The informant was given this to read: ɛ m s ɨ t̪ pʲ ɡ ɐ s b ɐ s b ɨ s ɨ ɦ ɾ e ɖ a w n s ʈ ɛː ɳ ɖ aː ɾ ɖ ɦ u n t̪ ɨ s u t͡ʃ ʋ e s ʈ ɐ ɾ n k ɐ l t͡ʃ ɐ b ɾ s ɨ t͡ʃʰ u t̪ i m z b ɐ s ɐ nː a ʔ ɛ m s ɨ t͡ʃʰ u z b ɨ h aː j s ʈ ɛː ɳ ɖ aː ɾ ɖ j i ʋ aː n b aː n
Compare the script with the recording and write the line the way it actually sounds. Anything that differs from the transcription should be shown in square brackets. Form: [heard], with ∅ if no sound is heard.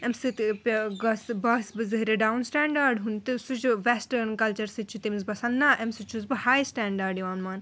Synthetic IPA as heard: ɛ m s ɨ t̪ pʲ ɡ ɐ s b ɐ s b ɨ [z] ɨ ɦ ɾ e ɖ a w n s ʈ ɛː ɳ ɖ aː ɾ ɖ ɦ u n t̪ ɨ s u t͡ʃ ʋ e s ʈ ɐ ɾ n k ɐ l t͡ʃ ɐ [∅] ɾ s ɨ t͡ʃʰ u t̪ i m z b ɐ s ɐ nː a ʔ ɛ m s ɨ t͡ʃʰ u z b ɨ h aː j s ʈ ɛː ɳ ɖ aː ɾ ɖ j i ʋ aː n [m] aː n